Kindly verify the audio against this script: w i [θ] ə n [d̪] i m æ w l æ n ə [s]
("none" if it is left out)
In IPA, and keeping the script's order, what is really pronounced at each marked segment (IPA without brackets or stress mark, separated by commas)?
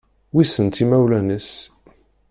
s, t̪, s